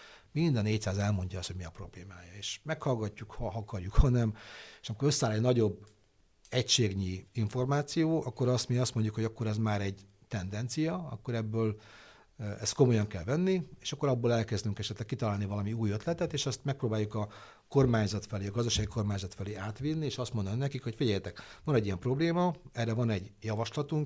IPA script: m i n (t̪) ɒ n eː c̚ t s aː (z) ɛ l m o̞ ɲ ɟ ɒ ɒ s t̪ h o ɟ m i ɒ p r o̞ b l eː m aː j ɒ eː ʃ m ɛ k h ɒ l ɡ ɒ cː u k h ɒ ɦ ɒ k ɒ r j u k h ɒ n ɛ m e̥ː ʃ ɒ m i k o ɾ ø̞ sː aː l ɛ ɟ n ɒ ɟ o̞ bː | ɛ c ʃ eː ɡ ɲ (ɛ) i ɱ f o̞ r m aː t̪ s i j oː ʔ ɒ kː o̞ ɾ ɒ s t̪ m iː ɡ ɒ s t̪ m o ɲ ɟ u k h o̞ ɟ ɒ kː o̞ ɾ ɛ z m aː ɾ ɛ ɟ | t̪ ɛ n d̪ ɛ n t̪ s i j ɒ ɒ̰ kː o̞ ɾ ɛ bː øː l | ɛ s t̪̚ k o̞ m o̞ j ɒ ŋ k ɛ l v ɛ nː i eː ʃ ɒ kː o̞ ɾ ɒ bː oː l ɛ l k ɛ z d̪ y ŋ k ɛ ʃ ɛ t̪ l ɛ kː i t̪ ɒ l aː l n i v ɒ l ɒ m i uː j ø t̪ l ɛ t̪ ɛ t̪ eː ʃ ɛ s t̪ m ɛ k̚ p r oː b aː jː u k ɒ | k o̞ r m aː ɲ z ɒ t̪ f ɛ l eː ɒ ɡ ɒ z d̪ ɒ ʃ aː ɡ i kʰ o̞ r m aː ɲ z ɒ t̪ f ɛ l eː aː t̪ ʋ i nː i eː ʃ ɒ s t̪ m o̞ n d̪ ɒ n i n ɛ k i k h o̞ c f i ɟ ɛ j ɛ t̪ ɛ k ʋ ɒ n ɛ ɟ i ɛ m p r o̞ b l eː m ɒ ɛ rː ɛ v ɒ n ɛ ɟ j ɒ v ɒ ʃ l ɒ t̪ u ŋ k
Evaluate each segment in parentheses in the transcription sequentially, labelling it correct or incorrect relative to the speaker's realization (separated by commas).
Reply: incorrect, correct, incorrect